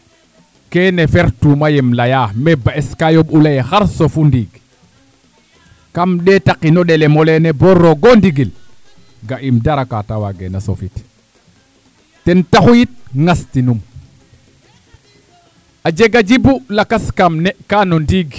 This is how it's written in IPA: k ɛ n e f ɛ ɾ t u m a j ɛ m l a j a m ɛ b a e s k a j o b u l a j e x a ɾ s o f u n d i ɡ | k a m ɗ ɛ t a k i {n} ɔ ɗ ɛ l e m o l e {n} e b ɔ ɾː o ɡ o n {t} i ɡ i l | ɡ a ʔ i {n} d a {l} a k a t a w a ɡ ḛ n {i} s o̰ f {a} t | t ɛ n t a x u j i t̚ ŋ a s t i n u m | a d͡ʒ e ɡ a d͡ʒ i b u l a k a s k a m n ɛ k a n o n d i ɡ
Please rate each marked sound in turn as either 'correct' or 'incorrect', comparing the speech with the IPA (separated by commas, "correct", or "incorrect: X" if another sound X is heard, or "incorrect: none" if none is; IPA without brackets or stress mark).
correct, correct, incorrect: d, incorrect: m, incorrect: ɾ, incorrect: a, incorrect: i